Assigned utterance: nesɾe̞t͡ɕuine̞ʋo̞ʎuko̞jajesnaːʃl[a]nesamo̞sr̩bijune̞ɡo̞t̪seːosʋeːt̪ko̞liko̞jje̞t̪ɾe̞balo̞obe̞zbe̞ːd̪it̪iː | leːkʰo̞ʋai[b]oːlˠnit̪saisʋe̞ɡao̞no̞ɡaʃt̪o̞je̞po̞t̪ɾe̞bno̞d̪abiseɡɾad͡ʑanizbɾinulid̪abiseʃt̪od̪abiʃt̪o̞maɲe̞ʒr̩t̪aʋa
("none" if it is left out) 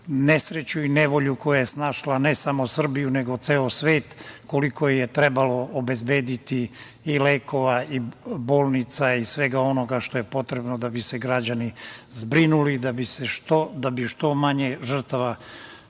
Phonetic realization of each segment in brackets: a, b

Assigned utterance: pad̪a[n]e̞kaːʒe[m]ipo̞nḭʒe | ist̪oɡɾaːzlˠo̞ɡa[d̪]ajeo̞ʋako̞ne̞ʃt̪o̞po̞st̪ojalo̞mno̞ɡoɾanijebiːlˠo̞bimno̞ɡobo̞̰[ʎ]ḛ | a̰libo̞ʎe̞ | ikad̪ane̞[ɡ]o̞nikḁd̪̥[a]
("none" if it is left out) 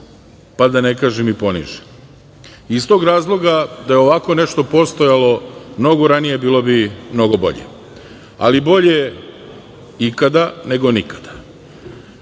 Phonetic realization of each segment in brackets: n, m, d̪, ʎ, ɡ, a

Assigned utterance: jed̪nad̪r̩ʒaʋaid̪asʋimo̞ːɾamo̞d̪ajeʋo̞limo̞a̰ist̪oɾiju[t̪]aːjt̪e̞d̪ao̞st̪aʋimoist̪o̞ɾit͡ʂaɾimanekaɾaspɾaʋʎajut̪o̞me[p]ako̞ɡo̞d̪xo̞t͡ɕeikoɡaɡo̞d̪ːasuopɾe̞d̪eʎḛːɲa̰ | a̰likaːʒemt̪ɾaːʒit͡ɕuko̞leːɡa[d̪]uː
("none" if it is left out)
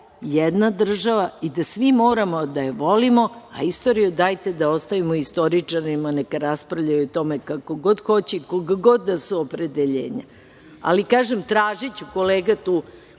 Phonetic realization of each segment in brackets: d̪, k, t̪

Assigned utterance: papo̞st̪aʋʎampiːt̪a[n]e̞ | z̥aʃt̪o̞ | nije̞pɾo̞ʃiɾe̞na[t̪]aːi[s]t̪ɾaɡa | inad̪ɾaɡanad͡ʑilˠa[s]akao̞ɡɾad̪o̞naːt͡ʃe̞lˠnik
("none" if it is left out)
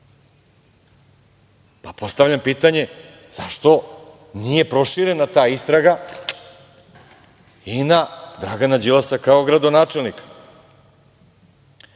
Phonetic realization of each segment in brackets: ɲ, t̪, s, s

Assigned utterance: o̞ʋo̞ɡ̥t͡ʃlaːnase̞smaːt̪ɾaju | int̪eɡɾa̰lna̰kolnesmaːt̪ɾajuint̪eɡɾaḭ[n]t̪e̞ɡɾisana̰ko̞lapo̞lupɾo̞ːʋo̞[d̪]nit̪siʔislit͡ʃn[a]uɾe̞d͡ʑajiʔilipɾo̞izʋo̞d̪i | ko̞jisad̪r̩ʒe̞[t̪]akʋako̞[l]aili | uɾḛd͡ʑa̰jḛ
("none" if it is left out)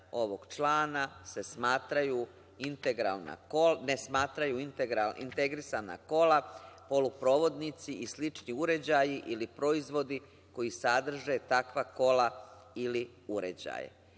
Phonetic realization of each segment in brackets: n, d̪, i, t̪, l

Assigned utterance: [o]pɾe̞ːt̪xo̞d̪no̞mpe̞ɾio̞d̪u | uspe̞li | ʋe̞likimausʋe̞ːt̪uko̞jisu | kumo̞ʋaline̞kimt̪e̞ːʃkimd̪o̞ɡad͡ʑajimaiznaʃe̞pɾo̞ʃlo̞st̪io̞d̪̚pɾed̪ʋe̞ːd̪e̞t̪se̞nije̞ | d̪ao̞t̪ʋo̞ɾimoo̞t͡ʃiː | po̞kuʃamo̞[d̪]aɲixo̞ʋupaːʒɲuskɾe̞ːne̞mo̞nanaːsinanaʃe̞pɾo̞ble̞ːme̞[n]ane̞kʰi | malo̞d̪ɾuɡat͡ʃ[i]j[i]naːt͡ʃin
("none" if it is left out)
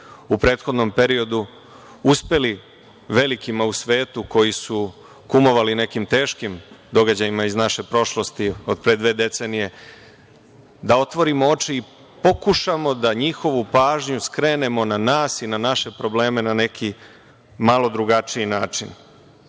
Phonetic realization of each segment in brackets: u, d̪, n, i, i

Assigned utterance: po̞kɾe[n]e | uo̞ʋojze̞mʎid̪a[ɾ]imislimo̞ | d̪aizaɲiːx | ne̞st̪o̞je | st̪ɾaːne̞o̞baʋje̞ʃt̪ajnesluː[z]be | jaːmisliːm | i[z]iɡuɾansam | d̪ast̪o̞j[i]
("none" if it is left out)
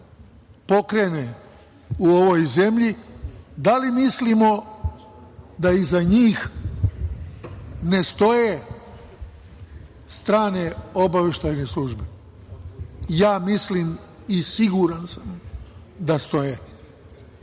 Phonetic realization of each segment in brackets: n, l, ʒ, s, e

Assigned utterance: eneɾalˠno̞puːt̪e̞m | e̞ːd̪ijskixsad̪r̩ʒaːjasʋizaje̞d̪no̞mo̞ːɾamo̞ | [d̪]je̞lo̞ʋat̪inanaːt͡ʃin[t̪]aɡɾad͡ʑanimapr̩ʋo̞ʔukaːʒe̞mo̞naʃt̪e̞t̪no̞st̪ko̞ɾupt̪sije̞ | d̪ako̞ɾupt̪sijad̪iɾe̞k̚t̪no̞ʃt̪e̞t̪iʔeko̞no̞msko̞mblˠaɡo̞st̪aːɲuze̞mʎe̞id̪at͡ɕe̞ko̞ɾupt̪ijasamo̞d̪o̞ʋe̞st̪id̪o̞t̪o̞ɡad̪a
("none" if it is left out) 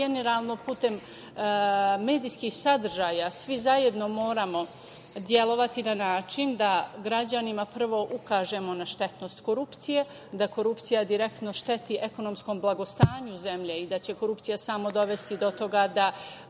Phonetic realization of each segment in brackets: d̪, d̪

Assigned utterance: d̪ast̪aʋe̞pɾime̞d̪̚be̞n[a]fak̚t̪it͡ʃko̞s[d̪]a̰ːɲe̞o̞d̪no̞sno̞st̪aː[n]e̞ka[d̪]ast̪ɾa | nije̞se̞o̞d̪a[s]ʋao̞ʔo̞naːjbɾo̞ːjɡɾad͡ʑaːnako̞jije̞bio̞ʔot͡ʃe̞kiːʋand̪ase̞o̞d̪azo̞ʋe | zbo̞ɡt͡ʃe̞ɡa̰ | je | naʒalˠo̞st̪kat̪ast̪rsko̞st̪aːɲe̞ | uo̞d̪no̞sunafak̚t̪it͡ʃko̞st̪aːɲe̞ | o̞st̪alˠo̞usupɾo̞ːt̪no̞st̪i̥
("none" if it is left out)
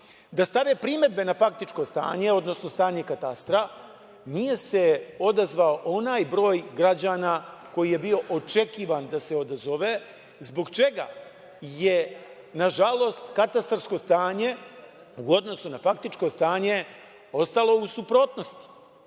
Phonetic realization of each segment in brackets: a, t̪, ɲ, t̪, z

